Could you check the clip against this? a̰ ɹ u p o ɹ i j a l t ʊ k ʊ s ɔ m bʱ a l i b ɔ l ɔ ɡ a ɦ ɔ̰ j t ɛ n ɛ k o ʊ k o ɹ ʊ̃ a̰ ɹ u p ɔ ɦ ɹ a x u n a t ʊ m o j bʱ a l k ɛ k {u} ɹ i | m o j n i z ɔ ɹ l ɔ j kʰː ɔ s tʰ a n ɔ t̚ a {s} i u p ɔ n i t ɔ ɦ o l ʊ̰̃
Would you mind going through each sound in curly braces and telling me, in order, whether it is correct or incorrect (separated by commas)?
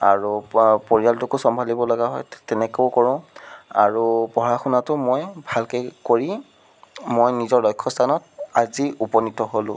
incorrect, incorrect